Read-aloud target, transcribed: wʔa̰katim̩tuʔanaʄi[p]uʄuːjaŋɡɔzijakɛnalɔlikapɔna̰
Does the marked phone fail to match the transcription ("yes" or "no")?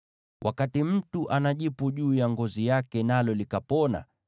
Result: no